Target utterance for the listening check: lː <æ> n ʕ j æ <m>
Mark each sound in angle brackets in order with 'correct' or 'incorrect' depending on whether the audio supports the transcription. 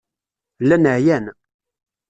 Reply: correct, incorrect: n

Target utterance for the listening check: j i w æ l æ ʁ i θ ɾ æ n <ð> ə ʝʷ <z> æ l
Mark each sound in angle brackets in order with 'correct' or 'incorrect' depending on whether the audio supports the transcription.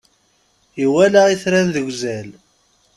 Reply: correct, correct

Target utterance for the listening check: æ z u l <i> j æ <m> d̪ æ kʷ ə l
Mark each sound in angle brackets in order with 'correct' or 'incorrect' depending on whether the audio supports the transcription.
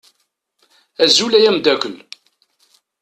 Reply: incorrect: æ, correct

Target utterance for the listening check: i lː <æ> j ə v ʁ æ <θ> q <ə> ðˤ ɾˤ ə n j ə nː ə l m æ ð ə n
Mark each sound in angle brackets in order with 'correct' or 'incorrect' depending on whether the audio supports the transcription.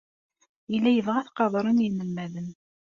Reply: correct, correct, incorrect: ɑ

